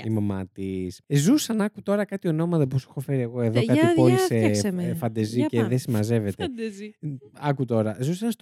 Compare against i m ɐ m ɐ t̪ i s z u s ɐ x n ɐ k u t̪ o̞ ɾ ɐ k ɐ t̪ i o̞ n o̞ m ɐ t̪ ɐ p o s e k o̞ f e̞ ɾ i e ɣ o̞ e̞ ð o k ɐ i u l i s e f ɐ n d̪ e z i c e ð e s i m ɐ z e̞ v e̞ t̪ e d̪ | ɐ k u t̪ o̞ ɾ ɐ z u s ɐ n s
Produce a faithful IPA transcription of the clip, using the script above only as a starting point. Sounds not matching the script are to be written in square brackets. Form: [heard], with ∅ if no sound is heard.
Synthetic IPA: i m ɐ m ɐ t̪ i s z u s ɐ [∅] n ɐ k u t̪ o̞ ɾ ɐ k ɐ t̪ i o̞ n o̞ m ɐ t̪ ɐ p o s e [x] o̞ f e̞ ɾ i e ɣ o̞ e̞ ð o k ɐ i [o] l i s e f ɐ n d̪ e z i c e ð e s i m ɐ z e̞ v e̞ t̪ e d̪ | ɐ k u t̪ o̞ ɾ ɐ z u s ɐ n s